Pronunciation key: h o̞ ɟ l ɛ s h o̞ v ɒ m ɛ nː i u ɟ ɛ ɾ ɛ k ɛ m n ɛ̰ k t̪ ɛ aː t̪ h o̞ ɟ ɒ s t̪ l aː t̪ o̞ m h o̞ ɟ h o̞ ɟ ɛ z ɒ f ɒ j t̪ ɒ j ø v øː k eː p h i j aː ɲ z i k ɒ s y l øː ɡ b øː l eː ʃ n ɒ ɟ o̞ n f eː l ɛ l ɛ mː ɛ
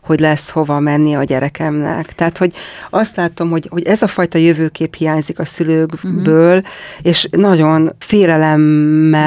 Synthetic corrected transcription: h o̞ ɟ l ɛ s h o̞ v ɒ m ɛ nː i ɒ ɟ ɛ ɾ ɛ k ɛ m n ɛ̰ k t̪ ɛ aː t̪ h o̞ ɟ ɒ s t̪ l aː t̪ o̞ m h o̞ ɟ h o̞ ɟ ɛ z ɒ f ɒ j t̪ ɒ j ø v øː k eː p h i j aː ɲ z i k ɒ s y l øː ɡ b øː l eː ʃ n ɒ ɟ o̞ n f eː l ɛ l ɛ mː ɛ